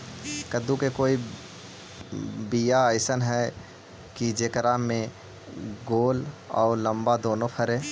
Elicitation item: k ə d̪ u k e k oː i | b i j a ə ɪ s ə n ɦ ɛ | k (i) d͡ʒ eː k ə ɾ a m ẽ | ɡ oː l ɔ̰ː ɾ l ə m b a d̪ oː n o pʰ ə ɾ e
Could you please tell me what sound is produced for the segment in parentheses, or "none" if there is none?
i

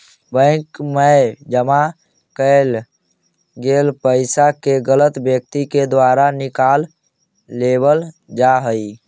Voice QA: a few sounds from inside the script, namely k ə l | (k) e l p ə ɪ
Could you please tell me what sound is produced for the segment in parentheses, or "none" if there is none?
ɡ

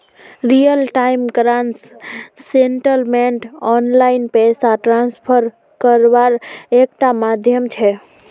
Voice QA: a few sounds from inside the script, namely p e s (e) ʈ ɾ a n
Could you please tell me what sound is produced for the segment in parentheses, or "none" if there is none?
a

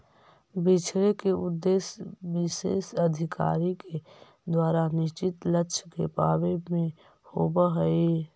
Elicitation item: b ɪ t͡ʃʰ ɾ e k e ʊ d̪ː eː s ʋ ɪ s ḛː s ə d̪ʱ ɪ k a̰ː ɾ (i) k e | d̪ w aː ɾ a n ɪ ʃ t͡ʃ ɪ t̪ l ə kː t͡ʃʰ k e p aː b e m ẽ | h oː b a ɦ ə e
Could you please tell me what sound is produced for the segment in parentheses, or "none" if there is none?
i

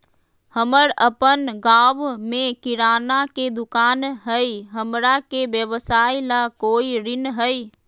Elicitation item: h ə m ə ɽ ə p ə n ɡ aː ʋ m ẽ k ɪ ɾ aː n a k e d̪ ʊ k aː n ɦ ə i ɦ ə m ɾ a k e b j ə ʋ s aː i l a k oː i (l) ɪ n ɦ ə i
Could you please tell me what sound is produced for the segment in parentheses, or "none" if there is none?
ɾ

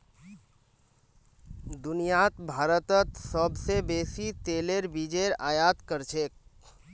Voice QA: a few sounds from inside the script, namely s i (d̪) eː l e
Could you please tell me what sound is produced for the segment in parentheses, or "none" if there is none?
t̪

